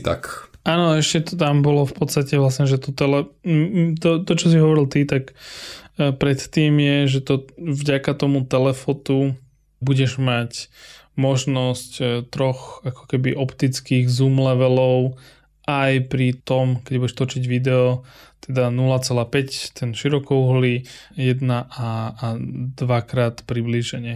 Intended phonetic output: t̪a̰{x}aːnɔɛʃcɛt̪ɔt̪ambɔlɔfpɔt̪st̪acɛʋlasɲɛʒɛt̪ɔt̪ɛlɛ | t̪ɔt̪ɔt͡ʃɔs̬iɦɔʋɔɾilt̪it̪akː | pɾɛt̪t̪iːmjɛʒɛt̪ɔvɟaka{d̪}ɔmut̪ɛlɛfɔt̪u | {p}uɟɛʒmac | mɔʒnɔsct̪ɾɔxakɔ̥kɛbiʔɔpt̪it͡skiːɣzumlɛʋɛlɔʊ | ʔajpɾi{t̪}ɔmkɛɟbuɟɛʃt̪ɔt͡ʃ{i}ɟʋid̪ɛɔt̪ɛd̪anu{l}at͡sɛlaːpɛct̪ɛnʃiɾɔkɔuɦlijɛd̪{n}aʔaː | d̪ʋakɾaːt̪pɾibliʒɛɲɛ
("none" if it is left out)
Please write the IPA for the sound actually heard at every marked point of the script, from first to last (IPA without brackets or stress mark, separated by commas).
k, t̪, b, t̪, i, l, n